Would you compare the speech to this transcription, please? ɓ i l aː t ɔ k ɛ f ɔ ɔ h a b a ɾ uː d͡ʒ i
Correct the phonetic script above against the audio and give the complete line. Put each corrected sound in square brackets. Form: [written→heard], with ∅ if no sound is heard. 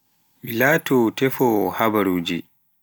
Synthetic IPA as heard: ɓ i l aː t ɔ [k→t] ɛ f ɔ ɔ h a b a ɾ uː d͡ʒ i